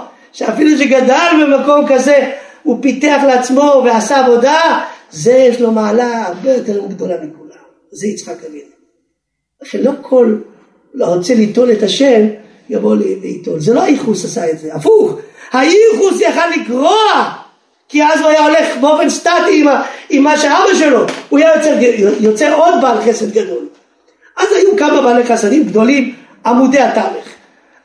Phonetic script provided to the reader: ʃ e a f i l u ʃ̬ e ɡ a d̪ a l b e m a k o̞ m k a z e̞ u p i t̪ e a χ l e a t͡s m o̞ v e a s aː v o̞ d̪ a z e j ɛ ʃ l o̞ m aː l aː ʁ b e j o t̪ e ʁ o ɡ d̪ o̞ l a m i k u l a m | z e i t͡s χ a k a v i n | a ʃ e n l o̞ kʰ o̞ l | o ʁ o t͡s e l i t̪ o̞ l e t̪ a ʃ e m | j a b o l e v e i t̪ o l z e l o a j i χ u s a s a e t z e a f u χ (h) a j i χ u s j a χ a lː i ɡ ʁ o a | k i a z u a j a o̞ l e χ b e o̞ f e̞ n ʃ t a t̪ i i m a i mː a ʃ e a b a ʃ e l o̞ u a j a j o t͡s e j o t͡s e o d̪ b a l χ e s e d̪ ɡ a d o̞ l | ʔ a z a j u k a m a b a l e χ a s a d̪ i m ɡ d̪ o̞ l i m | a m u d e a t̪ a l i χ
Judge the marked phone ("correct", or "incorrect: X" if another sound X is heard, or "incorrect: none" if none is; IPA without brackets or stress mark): correct